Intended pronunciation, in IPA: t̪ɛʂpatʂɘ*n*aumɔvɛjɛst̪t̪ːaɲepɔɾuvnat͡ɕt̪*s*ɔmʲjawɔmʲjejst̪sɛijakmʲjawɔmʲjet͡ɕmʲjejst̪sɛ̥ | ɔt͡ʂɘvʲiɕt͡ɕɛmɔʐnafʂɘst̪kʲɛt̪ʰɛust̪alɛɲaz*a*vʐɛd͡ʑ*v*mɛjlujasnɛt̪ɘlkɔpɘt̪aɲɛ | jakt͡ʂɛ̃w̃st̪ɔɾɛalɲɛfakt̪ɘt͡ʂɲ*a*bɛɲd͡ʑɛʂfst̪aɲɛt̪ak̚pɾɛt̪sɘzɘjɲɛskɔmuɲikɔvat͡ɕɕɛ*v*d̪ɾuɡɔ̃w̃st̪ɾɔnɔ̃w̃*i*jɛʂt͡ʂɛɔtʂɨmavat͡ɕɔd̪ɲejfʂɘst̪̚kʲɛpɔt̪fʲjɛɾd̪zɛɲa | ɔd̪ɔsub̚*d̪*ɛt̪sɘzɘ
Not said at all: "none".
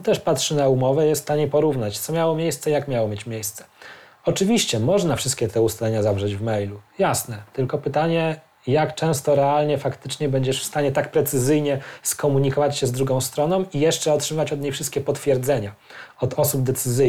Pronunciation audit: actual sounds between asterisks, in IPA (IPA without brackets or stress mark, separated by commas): n, s, a, v, ɛ, z, i, d̪